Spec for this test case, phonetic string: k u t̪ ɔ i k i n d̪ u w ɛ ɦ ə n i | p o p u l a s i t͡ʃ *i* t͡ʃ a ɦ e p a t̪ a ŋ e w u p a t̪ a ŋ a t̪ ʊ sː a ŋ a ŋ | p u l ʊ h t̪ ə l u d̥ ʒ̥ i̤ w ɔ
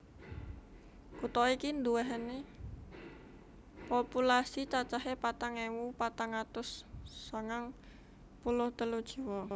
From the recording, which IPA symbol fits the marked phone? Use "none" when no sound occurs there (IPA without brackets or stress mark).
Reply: a